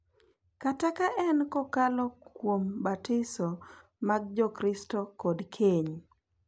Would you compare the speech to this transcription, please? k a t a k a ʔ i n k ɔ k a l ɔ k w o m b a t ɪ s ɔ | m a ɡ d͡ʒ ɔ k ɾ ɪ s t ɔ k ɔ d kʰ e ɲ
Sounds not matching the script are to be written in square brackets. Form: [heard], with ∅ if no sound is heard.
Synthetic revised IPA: k a t a k a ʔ [ɛ] n k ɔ k a l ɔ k w o m b a t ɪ s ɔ | m a ɡ d͡ʒ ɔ k ɾ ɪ s t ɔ k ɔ d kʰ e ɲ